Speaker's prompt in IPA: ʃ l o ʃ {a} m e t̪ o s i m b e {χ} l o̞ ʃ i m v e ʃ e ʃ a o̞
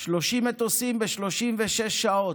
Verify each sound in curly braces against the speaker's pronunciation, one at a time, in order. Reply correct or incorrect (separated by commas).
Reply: incorrect, incorrect